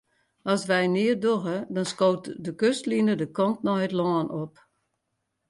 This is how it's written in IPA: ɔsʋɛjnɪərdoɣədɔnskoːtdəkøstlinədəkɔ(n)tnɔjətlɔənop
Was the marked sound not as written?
no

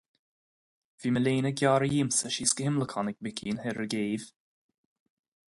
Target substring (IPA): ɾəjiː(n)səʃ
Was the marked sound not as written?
yes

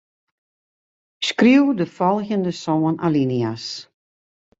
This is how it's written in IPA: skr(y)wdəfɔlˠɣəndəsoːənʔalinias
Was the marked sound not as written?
yes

